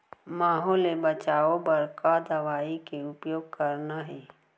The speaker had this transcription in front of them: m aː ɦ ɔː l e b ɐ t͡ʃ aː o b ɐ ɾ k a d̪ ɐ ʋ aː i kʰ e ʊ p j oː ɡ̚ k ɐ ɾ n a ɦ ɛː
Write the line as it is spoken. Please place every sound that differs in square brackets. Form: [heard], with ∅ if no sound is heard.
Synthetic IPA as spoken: m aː ɦ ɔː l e b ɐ t͡ʃ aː o b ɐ ɾ k a d̪ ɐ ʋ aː i [k] e ʊ p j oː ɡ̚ k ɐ ɾ n a ɦ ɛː